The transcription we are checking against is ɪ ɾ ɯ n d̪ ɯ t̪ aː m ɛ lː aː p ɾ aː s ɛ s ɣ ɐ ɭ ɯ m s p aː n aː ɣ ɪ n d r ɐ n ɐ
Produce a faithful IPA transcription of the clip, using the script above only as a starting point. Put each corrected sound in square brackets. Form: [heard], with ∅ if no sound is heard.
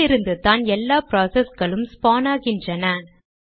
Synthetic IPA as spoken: ɪ ɾ ɯ n d̪ ɯ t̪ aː [n] ɛ lː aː p ɾ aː s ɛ s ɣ ɐ ɭ ɯ m s p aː n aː ɣ ɪ n d r ɐ n ɐ